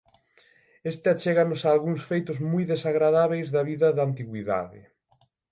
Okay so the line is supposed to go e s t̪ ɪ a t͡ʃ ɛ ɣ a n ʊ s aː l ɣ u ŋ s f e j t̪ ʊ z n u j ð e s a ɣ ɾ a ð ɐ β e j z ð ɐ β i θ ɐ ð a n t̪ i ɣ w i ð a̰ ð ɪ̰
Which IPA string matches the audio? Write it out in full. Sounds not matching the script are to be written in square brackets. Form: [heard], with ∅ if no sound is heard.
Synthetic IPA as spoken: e s t̪ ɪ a t͡ʃ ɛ ɣ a n ʊ s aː l ɣ u ŋ s f e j t̪ ʊ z [m] u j ð e s a ɣ ɾ a ð [a] β e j z ð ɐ β i [ð] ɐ ð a n t̪ i ɣ w i ð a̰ ð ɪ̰